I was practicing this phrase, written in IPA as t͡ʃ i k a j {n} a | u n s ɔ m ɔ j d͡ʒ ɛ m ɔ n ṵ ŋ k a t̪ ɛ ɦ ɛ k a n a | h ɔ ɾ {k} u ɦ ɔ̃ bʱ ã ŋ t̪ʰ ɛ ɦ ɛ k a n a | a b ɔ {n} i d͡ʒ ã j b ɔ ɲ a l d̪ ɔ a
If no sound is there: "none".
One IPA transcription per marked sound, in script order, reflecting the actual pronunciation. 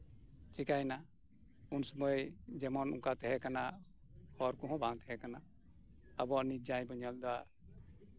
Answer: n, k, n

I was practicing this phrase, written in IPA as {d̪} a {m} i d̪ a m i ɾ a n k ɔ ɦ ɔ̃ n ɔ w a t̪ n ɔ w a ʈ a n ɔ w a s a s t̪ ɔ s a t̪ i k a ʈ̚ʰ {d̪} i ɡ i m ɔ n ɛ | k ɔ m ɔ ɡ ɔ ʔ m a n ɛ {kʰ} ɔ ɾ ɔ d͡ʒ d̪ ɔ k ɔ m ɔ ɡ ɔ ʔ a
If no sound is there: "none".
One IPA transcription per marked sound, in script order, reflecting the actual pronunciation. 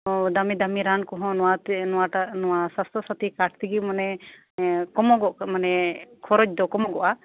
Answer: d̪, m, t̪, kʰ

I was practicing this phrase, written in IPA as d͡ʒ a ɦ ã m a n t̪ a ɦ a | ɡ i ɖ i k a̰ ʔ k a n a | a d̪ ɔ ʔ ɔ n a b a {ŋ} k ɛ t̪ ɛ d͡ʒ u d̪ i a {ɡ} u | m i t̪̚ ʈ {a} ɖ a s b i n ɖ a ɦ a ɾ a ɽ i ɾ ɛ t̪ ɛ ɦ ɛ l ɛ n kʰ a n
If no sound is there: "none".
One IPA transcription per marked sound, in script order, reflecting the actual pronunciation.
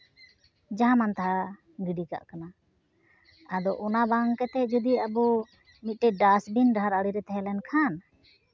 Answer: ŋ, b, ɛ

